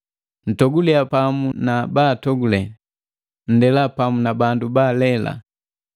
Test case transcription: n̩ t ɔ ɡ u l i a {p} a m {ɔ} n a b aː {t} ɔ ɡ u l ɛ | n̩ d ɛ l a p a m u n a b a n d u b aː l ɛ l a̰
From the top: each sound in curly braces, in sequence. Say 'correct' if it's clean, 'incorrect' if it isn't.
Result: correct, incorrect, correct

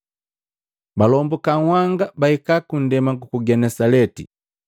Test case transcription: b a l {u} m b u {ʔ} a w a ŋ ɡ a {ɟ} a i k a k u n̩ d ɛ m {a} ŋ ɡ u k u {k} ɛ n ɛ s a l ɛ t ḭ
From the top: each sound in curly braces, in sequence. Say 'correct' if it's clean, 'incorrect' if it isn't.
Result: incorrect, incorrect, incorrect, correct, incorrect

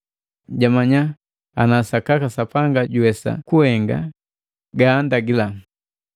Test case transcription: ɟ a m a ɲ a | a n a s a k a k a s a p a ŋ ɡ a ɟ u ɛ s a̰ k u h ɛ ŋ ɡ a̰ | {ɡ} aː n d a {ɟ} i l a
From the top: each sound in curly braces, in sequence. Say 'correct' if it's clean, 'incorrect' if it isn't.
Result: correct, incorrect

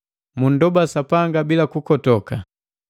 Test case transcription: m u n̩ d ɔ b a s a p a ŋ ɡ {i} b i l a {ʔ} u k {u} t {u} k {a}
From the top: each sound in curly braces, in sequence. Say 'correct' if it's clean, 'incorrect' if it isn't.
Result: incorrect, incorrect, incorrect, incorrect, correct

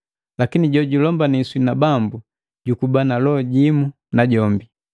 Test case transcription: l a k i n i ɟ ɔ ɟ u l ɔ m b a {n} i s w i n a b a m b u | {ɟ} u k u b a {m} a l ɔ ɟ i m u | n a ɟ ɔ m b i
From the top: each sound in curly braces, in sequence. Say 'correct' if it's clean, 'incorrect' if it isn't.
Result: correct, correct, incorrect

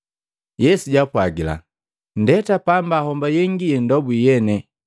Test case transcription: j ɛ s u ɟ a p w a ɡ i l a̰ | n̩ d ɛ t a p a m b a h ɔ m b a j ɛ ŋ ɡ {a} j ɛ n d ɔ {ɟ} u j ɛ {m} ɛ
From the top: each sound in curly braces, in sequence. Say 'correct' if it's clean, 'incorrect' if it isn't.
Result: incorrect, incorrect, incorrect

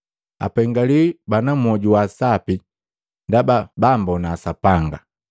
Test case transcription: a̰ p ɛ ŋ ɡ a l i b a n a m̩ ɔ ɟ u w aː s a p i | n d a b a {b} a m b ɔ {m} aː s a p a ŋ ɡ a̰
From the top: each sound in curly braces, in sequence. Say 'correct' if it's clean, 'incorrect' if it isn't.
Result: correct, incorrect

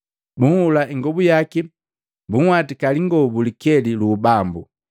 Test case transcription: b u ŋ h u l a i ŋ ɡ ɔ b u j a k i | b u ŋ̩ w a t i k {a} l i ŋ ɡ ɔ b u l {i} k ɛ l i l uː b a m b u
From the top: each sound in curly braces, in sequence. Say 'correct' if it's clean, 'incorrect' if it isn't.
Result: correct, correct

